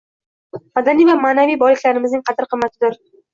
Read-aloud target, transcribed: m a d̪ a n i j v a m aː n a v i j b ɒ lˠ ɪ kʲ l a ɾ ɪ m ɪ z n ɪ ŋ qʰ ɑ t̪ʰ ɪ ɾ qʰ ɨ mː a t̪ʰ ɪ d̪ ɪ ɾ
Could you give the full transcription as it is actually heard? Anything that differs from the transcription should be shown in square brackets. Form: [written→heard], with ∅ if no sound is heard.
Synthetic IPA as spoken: m a d̪ a n i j v a m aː n a v i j b ɒ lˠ ɪ kʲ l a ɾ ɪ m ɪ z n ɪ ŋ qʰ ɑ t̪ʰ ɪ ɾ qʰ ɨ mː a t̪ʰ ɪ d̪ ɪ ɾ